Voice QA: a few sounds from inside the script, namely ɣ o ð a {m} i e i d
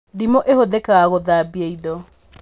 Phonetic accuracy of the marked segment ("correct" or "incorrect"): incorrect